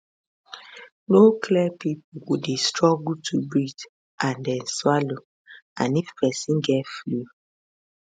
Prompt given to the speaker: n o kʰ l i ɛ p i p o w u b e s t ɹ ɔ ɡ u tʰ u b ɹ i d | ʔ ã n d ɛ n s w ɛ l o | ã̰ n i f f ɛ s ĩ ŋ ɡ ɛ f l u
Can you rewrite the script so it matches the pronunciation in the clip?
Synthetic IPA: n o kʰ l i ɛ p i p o w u d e s t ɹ ɔ ɡ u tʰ u b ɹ i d | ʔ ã n d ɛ n s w a l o | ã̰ n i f f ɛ s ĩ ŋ ɡ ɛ f l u